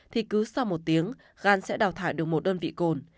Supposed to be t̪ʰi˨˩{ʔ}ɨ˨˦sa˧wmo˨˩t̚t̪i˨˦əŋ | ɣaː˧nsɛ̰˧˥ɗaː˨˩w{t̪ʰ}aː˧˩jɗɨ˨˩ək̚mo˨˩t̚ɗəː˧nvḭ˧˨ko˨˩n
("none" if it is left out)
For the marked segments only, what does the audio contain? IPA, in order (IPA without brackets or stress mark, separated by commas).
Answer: k, t̪ʰ